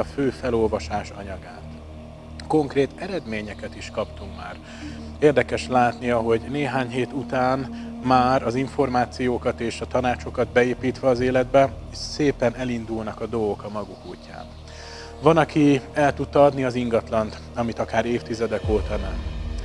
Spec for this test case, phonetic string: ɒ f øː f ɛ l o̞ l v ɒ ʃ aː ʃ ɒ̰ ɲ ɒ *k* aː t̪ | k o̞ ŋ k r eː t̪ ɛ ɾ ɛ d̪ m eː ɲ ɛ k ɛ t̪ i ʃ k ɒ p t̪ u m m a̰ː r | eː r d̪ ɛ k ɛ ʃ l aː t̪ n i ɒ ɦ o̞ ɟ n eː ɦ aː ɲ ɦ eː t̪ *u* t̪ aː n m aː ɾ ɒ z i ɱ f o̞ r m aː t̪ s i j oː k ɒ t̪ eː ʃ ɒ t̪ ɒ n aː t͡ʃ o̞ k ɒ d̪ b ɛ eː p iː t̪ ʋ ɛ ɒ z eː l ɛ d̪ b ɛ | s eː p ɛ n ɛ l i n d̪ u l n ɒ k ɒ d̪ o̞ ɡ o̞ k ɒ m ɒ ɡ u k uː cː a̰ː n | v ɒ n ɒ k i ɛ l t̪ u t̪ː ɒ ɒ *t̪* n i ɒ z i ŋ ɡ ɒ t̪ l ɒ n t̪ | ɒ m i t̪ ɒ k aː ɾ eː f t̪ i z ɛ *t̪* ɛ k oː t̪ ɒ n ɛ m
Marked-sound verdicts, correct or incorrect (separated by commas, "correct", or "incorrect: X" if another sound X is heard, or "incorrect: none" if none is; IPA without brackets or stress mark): incorrect: ɡ, correct, incorrect: d̪, incorrect: d̪